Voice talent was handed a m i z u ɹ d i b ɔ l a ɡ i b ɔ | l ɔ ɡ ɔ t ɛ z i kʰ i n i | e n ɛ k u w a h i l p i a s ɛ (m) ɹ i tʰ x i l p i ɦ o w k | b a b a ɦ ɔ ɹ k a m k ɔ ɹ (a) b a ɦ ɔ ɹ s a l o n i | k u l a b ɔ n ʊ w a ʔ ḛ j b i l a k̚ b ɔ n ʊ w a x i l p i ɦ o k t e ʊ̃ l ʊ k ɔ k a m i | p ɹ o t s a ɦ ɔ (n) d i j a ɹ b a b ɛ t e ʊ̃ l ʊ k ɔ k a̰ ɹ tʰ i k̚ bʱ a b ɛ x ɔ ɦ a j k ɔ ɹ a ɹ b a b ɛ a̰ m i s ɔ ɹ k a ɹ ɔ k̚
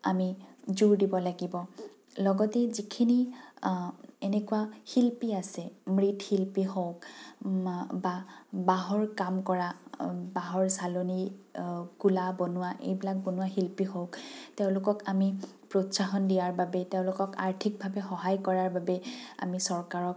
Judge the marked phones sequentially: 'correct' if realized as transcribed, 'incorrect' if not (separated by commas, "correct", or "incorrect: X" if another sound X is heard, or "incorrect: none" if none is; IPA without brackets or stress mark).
correct, correct, correct